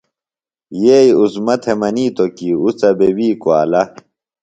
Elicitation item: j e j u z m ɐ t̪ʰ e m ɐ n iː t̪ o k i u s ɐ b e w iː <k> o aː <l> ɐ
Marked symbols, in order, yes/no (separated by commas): yes, yes